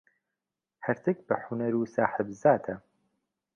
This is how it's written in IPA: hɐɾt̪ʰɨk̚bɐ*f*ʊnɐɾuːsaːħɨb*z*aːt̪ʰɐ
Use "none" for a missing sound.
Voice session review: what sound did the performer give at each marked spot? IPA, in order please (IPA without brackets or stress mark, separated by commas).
ħ, z